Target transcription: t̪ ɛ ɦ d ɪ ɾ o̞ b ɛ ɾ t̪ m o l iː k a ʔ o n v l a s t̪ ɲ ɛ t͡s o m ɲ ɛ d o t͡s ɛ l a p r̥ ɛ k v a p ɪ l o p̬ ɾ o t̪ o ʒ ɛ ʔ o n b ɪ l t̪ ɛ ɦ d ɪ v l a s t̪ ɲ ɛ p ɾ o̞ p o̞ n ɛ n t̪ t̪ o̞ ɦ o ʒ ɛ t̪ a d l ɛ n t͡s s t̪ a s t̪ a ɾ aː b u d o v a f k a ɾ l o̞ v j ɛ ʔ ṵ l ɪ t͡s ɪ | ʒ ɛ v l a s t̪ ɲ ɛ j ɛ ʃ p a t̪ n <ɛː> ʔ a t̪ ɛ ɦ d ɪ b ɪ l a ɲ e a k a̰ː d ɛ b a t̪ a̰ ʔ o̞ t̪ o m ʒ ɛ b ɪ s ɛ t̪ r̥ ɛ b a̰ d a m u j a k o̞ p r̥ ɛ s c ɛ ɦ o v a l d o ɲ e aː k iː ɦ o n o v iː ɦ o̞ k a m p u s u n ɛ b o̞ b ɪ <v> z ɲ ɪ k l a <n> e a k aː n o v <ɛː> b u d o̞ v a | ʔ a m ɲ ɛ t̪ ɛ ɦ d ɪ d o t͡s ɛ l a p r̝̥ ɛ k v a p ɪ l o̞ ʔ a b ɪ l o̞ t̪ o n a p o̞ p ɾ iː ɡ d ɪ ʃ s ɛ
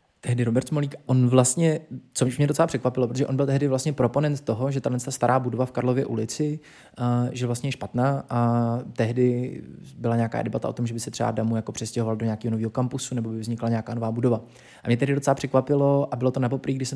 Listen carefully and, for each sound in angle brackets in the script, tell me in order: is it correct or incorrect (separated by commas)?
incorrect, correct, incorrect, incorrect